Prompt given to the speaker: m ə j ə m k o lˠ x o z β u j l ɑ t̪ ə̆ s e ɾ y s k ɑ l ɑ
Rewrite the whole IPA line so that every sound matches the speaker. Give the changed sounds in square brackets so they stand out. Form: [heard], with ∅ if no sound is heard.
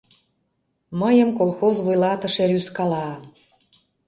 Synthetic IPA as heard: m ə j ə m k o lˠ x o z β u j l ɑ t̪ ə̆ [ʃ] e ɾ y s k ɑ l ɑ